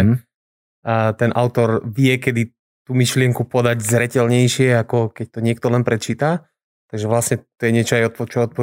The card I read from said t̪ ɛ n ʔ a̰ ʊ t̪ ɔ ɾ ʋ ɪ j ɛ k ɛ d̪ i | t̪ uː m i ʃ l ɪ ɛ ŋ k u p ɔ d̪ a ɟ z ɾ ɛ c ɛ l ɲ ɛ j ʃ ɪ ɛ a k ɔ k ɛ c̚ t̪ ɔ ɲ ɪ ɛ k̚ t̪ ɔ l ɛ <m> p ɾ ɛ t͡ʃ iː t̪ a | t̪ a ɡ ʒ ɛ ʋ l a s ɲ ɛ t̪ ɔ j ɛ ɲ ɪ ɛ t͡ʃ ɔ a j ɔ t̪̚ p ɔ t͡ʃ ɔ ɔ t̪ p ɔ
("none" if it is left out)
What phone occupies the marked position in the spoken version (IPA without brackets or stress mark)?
n